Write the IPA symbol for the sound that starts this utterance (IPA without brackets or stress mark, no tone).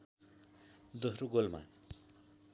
d̪